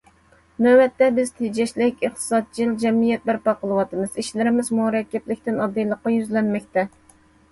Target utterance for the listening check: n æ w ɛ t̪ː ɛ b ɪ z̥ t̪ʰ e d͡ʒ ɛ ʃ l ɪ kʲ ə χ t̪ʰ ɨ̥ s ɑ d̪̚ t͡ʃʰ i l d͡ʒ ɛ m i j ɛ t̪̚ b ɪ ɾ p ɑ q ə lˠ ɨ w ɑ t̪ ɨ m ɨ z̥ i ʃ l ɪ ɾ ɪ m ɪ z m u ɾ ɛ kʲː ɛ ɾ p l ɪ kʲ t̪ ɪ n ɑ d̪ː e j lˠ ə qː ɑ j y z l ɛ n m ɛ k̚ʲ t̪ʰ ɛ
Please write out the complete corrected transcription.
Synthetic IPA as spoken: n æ w ɛ t̪ː ɛ b ɪ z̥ t̪ʰ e d͡ʒ ɛ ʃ l ɪ kʲ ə χ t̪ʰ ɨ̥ s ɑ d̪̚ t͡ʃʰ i l d͡ʒ ɛ m i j ɛ t̪̚ b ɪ ɾ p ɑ q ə lˠ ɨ w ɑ t̪ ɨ m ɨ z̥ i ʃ l ɪ ɾ ɪ m ɪ z m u ɾ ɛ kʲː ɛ p l ɪ kʲ t̪ ɪ n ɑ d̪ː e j lˠ ə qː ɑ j y z l ɛ n m ɛ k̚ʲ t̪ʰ ɛ

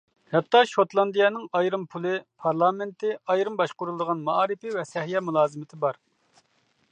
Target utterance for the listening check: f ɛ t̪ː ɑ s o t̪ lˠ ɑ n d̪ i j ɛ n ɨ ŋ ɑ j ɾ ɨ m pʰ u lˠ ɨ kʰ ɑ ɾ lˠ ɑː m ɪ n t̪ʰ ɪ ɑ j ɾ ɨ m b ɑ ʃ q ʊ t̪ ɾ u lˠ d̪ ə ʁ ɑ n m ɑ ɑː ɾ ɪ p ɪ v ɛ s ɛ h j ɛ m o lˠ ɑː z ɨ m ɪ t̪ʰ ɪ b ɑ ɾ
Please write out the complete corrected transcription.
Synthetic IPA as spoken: h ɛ t̪ː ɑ ʃ o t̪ lˠ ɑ n d̪ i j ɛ n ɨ ŋ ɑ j ɾ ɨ m pʰ u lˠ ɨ pʰ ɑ ɾ lˠ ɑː m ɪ n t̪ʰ ɪ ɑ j ɾ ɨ m b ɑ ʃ q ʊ ɾ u lˠ d̪ ə ʁ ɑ n m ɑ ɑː ɾ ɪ p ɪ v ɛ s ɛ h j ɛ m u lˠ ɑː z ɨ m ɪ t̪ʰ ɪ b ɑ ɾ

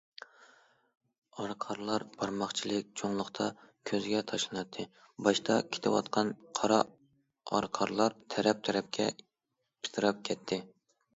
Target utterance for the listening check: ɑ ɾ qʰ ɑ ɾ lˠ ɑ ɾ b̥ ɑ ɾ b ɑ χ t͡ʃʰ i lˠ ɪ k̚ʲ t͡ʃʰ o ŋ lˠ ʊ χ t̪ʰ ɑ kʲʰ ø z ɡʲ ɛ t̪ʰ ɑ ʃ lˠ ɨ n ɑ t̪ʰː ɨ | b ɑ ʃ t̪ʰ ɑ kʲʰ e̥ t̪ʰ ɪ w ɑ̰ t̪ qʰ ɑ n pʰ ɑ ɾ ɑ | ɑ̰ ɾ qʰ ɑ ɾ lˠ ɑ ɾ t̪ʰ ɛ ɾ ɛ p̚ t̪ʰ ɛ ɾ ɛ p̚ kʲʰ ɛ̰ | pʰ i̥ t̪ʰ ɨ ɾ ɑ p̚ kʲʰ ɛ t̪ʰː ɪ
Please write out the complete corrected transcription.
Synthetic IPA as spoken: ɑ ɾ qʰ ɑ ɾ lˠ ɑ ɾ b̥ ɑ ɾ m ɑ χ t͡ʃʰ i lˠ ɪ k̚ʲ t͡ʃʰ o ŋ lˠ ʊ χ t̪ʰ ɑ kʲʰ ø z ɡʲ ɛ t̪ʰ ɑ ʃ lˠ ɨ n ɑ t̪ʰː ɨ | b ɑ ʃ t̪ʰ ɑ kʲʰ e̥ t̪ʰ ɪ w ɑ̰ t̪ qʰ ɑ n qʰ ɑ ɾ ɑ | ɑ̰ ɾ qʰ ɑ ɾ lˠ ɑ ɾ t̪ʰ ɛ ɾ ɛ p̚ t̪ʰ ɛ ɾ ɛ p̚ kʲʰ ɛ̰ | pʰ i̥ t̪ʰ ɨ ɾ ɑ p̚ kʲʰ ɛ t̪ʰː ɪ

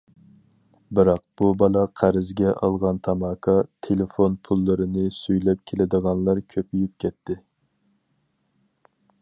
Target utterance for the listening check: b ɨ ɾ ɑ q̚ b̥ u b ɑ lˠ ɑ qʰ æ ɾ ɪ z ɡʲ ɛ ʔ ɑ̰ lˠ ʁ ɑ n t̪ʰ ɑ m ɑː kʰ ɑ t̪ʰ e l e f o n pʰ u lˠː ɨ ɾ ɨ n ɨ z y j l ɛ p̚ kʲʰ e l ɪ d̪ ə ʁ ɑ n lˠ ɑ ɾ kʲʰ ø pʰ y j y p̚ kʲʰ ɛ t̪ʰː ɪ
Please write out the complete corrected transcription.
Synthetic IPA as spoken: b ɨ ɾ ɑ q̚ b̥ u b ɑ lˠ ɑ qʰ æ ɾ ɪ z ɡʲ ɛ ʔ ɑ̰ lˠ ʁ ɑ n t̪ʰ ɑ m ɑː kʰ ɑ t̪ʰ e l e f o n pʰ u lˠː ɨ ɾ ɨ n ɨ s y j l ɛ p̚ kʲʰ e l ɪ d̪ ə ʁ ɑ n lˠ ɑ ɾ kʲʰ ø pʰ y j y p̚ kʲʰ ɛ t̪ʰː ɪ

